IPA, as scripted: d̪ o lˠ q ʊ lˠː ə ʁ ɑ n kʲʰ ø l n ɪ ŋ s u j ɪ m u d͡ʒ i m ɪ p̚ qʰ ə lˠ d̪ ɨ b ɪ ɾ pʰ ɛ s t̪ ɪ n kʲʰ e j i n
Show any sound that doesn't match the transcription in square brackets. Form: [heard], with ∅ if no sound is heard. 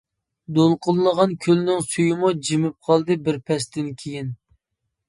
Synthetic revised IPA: d̪ o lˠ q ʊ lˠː ə ʁ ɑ n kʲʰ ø l n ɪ ŋ s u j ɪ m u d͡ʒ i m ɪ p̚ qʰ [ɑ] lˠ d̪ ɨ b ɪ ɾ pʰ ɛ s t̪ ɪ n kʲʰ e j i n